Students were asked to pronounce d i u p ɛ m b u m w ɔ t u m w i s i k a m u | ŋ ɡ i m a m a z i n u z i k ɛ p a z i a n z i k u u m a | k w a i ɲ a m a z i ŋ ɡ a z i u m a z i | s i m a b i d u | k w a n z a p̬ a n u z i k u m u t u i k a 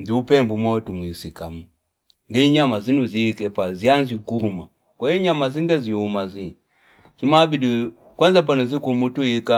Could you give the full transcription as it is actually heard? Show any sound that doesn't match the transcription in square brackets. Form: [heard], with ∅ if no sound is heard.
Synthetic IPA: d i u p ɛ m b u m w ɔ t u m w i s i k a m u | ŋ ɡ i [ɲ] a m a z i n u z i k ɛ p a z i a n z i k u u m a | k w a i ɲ a m a z i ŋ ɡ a z i u m a z i | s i m a b i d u | k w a n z a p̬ a n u z i k u m u t u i k a

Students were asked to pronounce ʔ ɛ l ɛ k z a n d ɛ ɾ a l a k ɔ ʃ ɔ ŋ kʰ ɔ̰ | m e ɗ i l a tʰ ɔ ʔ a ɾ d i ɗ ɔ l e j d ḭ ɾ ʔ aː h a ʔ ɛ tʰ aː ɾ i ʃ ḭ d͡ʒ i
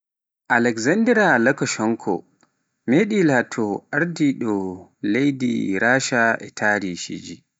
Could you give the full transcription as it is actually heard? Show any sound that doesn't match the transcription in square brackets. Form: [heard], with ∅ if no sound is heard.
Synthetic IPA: ʔ [a] l ɛ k z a n d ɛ ɾ a l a k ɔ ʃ ɔ ŋ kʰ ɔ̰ | m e ɗ i l a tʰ ɔ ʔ a ɾ d i ɗ ɔ l e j d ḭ ɾ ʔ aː [ʃ] a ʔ ɛ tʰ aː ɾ i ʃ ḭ d͡ʒ i

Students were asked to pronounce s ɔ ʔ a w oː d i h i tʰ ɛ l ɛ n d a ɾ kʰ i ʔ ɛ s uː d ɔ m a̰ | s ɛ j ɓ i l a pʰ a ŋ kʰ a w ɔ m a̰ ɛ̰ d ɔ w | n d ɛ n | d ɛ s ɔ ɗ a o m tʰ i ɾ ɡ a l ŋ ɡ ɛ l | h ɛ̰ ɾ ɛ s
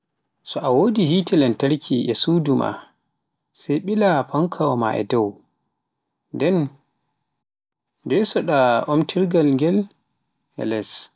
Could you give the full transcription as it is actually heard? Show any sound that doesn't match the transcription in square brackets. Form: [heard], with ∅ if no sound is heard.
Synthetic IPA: s ɔ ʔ a w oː d i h i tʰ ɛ l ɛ n [t] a ɾ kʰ i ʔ ɛ s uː d [u] m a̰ | s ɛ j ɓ i l a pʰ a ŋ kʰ a w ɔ m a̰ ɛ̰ d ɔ w | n d ɛ n | d ɛ s ɔ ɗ a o m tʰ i ɾ ɡ a l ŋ ɡ ɛ l | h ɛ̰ [l] ɛ s

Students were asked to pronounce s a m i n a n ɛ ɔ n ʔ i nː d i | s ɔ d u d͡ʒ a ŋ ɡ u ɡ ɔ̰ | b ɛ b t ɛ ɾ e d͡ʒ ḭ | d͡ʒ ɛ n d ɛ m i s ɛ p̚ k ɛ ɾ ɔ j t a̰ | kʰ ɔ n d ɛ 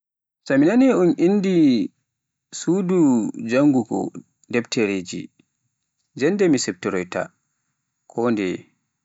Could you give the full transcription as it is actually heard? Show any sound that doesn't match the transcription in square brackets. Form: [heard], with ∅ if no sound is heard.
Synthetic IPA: s a m i n a n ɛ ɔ n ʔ i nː d i | s [u] d u d͡ʒ a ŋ ɡ u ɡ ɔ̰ | [d] ɛ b t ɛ ɾ e d͡ʒ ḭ | d͡ʒ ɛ n d ɛ m i s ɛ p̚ [t] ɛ ɾ ɔ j t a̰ | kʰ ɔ n d ɛ

